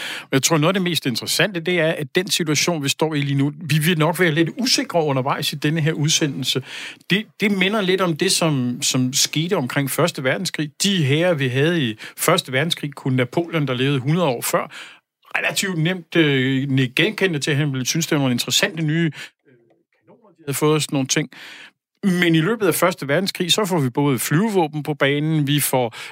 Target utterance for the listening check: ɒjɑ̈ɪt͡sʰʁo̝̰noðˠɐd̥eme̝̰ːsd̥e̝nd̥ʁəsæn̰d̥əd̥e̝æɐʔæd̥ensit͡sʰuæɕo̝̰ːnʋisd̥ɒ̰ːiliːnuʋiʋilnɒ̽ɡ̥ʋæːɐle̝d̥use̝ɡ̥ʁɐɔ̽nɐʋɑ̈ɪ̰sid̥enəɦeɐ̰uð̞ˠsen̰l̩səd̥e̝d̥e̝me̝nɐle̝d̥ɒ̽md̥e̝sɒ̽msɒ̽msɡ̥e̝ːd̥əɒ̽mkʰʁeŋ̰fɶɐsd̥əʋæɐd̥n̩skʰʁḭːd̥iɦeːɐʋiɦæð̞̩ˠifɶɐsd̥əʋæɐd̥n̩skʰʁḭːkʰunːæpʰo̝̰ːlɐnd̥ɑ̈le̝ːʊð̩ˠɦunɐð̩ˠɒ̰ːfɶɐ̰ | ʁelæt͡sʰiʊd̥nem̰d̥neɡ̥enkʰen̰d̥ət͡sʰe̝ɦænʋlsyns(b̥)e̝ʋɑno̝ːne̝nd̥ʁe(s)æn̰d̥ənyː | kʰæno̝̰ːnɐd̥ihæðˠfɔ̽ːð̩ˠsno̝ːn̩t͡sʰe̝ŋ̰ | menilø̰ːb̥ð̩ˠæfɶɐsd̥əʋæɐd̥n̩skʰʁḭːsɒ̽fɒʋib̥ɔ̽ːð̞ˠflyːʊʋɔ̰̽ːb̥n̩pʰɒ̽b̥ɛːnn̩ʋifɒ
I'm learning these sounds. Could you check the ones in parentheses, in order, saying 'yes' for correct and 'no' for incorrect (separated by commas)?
no, yes